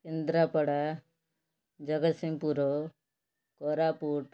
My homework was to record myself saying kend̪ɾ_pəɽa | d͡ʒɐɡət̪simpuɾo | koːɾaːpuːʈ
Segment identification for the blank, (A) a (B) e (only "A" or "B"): A